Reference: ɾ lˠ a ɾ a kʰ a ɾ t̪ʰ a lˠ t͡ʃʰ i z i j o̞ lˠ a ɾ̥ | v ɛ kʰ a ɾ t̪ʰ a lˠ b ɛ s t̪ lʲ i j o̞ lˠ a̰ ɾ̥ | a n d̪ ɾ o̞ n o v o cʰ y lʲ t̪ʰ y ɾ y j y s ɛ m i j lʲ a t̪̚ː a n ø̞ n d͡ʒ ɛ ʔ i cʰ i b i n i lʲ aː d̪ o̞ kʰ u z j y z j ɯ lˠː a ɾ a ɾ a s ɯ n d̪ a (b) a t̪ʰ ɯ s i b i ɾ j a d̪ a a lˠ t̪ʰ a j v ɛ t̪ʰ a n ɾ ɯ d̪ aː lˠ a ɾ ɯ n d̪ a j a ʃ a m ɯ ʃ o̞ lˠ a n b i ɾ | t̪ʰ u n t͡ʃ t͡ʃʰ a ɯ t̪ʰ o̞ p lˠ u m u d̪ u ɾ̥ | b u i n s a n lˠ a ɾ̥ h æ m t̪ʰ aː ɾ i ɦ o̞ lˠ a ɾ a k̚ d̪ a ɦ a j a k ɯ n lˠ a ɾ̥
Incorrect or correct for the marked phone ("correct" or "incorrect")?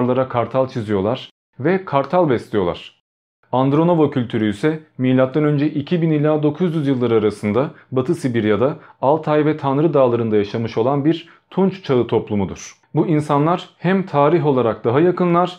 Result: correct